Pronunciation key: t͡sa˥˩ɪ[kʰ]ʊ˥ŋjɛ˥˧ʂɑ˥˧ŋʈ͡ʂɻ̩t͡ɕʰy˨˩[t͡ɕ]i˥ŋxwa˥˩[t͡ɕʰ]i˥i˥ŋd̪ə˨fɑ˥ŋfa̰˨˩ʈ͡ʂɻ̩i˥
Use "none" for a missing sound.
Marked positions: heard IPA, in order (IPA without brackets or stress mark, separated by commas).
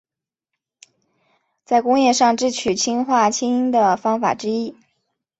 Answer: k, t͡ɕʰ, t͡ɕʰ